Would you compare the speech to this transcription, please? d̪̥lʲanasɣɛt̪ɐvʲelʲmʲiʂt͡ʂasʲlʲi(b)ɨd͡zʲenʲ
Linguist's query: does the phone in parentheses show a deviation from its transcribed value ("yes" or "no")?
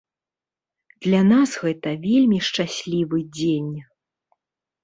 yes